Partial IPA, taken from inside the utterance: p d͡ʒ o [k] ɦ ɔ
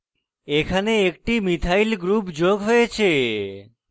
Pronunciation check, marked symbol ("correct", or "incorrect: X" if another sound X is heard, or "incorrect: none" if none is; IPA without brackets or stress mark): incorrect: ɡ